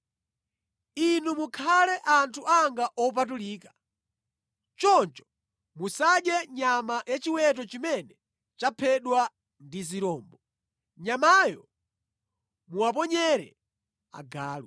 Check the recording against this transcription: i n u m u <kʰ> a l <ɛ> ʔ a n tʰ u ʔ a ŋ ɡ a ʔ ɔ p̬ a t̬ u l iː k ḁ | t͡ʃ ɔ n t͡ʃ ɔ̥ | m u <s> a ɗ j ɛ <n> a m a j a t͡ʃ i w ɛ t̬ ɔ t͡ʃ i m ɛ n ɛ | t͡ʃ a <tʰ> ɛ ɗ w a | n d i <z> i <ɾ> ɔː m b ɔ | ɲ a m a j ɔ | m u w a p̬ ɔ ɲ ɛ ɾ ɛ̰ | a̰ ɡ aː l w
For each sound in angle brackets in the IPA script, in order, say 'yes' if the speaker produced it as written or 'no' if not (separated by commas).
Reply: yes, yes, yes, no, no, yes, yes